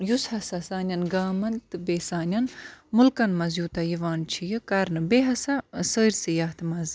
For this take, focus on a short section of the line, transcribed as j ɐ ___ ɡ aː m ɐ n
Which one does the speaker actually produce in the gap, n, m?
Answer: n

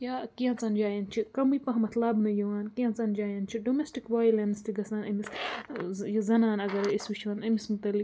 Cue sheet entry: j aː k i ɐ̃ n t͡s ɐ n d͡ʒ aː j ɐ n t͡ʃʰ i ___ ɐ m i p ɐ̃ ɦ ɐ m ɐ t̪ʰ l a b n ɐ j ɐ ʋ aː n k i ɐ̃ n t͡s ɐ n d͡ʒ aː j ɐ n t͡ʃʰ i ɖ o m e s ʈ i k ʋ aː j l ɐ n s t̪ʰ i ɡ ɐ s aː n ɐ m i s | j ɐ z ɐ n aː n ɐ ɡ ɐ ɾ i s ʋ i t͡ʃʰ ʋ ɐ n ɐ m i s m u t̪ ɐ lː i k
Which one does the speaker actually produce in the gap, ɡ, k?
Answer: k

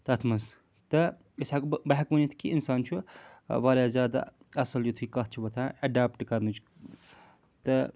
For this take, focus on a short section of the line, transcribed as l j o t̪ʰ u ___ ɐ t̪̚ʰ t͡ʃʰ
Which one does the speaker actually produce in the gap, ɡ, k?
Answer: k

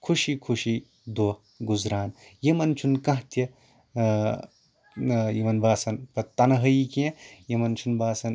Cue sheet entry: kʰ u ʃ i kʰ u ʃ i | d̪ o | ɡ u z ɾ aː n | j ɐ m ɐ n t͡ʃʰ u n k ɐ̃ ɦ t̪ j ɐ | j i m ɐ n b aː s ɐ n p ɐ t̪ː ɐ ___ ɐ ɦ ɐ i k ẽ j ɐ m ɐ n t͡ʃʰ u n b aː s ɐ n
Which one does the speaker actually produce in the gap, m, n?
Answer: n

